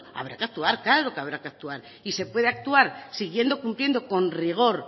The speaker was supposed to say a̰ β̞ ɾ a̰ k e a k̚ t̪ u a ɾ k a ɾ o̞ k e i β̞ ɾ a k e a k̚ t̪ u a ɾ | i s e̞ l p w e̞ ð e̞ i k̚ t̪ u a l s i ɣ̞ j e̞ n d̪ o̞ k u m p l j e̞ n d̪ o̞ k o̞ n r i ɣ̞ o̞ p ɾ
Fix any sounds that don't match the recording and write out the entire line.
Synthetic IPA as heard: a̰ β̞ ɾ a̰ k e a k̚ t̪ u a ɾ k a ɾ o̞ k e a β̞ ɾ a k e a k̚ t̪ u a ɾ | i s e̞ p w e̞ ð e̞ a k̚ t̪ u a ɾ s i ɣ̞ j e̞ n d̪ o̞ k u m p l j e̞ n d̪ o̞ k o̞ n r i ɣ̞ o̞ ɾ